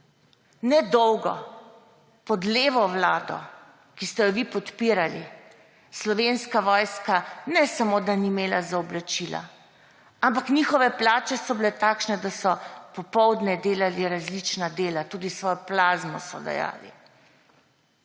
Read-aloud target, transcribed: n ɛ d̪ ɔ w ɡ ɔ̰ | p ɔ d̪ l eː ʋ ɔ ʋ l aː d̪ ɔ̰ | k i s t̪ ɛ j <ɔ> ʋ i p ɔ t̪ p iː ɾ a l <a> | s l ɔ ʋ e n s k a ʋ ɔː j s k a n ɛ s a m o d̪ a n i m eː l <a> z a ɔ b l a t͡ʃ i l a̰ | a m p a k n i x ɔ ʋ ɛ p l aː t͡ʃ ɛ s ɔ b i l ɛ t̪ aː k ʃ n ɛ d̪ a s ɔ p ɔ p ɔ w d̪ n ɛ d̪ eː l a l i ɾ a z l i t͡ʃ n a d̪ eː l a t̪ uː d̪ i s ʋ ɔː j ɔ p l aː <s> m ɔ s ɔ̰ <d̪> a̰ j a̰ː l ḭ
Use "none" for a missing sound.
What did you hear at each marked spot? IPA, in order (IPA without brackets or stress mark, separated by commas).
ɔ, i, a, z, d̪